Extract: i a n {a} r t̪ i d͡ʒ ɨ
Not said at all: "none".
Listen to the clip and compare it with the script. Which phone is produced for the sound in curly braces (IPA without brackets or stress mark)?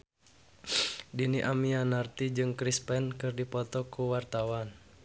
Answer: a